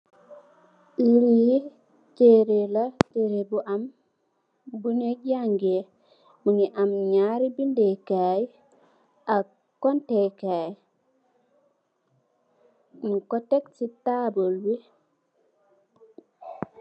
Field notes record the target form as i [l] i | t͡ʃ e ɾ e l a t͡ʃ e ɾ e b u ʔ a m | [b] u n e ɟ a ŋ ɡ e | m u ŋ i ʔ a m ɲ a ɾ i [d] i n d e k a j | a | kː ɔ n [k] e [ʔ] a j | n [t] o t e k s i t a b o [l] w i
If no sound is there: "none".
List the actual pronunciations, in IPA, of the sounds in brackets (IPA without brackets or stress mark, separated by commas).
ɾ, b, b, t, k, k, l